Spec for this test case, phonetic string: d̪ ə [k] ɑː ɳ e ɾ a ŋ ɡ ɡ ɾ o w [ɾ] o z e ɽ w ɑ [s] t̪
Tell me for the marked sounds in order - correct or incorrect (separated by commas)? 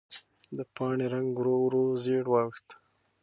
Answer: incorrect, correct, incorrect